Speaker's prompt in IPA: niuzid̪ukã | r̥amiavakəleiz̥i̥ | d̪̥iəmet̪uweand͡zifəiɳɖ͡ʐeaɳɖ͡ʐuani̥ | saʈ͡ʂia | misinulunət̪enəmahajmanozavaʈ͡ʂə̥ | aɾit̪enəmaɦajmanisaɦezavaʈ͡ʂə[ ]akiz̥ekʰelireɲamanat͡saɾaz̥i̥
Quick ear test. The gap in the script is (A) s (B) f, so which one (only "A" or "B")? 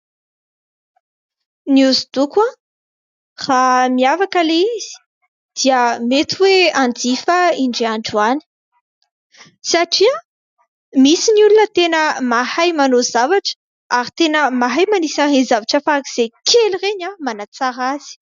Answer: B